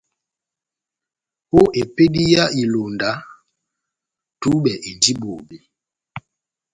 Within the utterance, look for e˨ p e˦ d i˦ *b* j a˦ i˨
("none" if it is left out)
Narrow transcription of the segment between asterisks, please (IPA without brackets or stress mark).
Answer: none